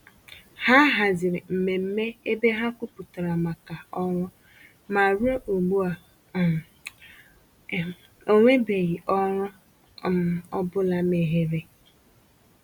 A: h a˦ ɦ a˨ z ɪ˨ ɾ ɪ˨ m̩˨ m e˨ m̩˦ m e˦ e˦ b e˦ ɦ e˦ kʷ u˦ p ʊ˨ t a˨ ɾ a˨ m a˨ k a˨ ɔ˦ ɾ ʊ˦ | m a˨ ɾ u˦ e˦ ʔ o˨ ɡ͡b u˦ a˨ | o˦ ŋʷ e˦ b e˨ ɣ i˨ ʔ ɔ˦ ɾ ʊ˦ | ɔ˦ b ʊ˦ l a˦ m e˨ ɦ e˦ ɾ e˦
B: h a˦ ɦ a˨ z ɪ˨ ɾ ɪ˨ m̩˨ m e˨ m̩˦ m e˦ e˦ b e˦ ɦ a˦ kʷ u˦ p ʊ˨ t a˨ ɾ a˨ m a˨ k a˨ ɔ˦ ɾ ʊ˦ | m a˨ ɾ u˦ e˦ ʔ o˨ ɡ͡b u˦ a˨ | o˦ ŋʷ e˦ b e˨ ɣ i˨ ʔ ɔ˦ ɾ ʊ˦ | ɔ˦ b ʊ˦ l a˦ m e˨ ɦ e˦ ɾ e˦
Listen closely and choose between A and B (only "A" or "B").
B